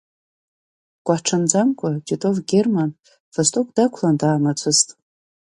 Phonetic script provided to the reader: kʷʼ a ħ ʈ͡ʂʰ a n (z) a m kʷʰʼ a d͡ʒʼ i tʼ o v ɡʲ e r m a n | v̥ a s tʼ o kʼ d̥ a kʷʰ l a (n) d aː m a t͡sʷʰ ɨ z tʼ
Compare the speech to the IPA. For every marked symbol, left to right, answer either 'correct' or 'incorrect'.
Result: incorrect, correct

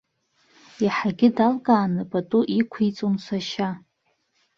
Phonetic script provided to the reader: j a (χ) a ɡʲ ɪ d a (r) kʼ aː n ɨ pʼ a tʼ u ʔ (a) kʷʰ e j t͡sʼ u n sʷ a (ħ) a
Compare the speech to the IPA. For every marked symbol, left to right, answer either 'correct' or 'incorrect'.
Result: incorrect, incorrect, incorrect, incorrect

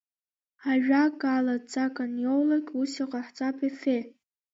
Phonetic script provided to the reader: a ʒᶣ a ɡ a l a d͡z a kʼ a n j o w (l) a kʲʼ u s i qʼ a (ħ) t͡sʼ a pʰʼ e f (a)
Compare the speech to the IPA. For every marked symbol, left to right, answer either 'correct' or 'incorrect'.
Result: correct, correct, incorrect

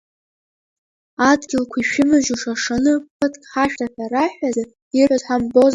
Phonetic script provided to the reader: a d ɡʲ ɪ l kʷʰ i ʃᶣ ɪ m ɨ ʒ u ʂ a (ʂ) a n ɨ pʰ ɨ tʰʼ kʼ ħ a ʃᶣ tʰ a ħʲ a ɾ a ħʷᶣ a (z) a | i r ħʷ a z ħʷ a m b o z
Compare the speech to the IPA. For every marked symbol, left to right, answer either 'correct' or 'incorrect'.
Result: correct, correct

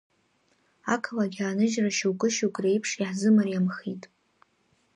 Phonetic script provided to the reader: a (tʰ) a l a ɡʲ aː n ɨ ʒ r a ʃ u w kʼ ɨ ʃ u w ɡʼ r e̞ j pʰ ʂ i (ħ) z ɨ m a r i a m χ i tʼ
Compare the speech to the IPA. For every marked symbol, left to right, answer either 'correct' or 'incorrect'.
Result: incorrect, correct

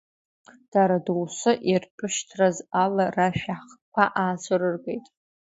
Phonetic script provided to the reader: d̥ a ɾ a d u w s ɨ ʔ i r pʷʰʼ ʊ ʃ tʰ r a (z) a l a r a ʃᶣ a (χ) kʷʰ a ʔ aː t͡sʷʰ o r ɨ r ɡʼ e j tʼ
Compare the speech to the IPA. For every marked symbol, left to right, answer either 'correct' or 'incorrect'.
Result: correct, correct

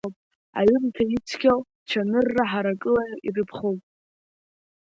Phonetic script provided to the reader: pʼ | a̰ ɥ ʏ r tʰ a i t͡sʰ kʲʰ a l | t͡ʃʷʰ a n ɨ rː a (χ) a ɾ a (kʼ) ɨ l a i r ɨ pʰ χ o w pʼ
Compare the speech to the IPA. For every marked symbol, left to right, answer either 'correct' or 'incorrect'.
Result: incorrect, correct

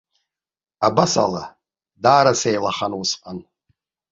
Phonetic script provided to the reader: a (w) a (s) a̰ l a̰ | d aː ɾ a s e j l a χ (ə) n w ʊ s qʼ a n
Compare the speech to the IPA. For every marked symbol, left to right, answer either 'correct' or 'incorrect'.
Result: incorrect, correct, incorrect

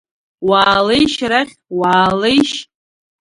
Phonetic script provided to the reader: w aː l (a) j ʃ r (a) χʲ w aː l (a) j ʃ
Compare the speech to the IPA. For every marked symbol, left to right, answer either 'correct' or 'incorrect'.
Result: incorrect, correct, incorrect

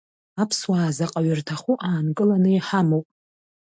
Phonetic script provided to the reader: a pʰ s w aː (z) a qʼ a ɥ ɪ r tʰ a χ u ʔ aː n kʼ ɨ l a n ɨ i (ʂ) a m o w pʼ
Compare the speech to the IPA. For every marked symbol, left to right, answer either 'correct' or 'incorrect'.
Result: correct, incorrect

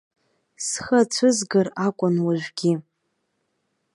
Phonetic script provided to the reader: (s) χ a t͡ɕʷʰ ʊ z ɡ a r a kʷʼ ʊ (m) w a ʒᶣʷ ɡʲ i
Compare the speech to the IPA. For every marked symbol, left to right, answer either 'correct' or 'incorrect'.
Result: correct, incorrect

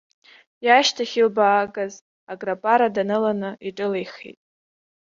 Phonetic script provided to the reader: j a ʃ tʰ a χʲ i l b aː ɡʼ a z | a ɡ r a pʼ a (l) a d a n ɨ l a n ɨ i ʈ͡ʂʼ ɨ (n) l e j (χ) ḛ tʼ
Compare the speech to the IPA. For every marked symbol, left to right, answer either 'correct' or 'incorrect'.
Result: incorrect, incorrect, correct

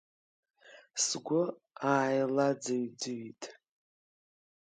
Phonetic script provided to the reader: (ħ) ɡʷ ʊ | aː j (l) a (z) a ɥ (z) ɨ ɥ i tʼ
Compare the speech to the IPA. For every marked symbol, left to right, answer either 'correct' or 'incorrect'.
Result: incorrect, correct, incorrect, incorrect

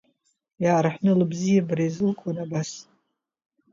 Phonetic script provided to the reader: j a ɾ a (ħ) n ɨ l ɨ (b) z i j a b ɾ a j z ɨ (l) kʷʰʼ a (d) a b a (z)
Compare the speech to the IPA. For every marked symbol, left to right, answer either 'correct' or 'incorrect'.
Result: correct, correct, correct, incorrect, incorrect

